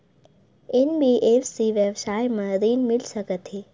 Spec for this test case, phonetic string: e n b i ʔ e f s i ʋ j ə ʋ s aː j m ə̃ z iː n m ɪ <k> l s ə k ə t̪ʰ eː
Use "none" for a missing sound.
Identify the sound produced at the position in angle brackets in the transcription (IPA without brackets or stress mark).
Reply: none